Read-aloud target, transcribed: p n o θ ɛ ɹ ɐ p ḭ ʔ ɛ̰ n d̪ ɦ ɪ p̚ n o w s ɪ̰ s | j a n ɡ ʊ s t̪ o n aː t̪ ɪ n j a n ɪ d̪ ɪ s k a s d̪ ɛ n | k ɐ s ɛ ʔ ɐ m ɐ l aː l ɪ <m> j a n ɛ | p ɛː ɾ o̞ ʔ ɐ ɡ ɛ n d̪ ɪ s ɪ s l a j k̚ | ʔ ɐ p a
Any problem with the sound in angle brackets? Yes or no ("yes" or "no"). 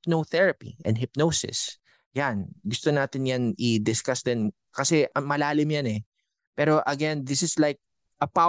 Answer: no